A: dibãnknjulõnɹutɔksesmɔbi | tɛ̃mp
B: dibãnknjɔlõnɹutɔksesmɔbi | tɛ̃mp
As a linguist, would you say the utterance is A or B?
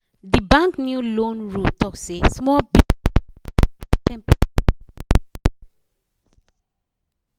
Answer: A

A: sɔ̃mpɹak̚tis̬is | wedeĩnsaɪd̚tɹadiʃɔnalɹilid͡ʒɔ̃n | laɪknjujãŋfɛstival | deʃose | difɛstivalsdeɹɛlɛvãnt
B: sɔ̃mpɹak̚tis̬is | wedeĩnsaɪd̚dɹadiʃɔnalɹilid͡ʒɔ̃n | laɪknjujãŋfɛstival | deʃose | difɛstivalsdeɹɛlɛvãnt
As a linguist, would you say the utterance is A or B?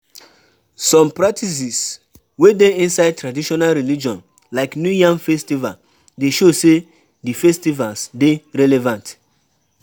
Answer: A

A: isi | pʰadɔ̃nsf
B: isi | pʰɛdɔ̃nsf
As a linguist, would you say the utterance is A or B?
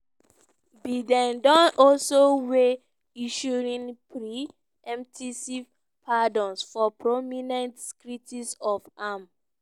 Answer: A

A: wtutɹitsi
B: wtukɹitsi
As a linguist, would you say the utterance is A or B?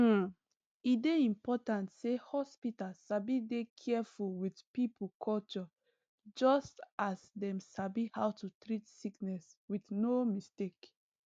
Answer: A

